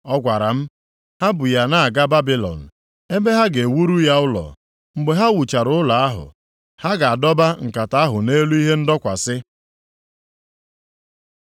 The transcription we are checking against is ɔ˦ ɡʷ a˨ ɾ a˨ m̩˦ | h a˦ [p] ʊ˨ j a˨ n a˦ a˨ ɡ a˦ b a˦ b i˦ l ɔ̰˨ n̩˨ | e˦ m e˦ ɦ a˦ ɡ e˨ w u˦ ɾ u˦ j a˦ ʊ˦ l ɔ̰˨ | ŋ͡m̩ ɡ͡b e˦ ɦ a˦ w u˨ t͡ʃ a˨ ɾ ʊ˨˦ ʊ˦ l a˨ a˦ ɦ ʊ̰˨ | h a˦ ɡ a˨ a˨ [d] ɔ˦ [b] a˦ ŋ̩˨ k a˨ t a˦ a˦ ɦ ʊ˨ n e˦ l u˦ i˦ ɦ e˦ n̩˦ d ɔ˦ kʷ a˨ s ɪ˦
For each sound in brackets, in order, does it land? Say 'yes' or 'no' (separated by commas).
no, yes, yes